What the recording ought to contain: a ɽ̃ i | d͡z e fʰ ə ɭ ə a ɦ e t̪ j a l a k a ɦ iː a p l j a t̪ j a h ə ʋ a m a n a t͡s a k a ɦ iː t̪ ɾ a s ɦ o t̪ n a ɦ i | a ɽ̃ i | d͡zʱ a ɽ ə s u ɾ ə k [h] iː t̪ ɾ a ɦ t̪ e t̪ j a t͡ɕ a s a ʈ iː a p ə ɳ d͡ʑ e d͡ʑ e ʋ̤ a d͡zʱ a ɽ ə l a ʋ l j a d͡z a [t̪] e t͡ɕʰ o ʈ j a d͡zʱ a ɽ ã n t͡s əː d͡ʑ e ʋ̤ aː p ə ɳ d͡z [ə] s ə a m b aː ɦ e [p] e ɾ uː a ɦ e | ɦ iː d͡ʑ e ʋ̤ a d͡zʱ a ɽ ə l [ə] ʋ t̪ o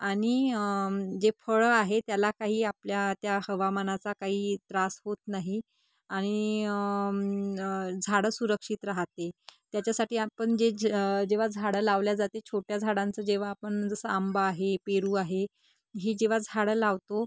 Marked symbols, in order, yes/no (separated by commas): no, yes, yes, yes, no